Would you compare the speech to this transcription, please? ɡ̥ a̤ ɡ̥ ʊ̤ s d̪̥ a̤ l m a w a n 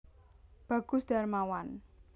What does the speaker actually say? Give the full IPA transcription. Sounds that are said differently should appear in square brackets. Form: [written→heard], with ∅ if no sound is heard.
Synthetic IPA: [ɡ̥→b̥] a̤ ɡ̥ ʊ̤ s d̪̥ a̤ [l→r] m a w a n